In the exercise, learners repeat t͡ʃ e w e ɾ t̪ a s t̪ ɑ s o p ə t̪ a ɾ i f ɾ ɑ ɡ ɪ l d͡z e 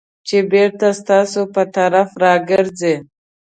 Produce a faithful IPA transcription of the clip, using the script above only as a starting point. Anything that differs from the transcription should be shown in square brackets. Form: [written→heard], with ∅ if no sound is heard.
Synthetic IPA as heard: t͡ʃ e [w→b] e ɾ t̪ a s t̪ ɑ s o p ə t̪ a ɾ [i→a] f ɾ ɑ ɡ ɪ [l→ɾ] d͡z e